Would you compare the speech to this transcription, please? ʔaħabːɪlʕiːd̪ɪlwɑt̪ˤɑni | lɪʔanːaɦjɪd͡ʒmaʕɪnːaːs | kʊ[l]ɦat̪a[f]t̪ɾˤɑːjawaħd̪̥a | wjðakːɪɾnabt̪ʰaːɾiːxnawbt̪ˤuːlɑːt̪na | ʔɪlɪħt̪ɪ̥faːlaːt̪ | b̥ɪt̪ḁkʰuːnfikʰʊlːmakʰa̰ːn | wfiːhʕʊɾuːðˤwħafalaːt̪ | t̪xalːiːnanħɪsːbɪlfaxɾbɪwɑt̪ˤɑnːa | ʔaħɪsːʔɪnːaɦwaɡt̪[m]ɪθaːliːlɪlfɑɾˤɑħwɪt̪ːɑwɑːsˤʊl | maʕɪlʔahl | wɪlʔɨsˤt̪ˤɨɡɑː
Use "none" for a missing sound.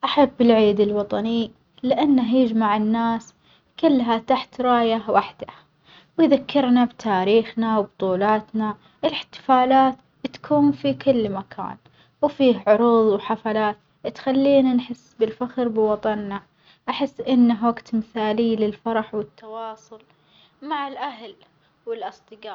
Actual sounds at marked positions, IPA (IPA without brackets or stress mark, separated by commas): lː, ħ, m